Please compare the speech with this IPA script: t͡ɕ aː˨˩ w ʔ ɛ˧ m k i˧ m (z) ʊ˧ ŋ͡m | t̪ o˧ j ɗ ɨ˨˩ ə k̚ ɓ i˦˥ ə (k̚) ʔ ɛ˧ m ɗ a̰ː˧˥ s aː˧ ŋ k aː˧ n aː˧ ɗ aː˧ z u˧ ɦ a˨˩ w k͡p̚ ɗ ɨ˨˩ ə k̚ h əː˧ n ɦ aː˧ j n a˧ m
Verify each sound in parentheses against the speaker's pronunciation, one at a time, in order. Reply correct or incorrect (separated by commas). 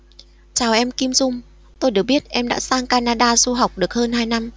correct, incorrect